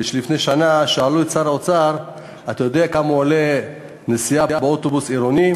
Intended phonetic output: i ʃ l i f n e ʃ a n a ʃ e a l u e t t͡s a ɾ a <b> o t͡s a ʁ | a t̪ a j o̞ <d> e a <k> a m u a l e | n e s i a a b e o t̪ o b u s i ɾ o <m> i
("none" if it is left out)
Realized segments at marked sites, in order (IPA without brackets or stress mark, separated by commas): none, d, k, n